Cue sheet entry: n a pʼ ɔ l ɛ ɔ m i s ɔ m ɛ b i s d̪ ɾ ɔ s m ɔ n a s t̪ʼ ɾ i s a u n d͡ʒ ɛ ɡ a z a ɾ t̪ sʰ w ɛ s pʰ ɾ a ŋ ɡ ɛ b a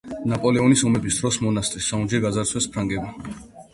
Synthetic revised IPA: n a pʼ ɔ l ɛ ɔ n i s ɔ m ɛ b i s d̪ ɾ ɔ s m ɔ n a s t̪ʼ ɾ i s a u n d͡ʒ ɛ ɡ a z a ɾ t̪ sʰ w ɛ s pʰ ɾ a ŋ ɡ ɛ b a